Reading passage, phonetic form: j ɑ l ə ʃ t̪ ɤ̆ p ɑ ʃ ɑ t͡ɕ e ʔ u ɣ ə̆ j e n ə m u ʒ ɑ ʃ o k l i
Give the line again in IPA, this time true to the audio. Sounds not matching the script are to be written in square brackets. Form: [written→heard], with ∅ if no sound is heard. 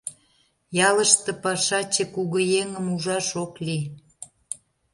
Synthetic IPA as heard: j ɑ l ə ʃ t̪ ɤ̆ p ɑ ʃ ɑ t͡ɕ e [ʔ→k] u ɣ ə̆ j e [n→ŋ] ə m u ʒ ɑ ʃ o k l i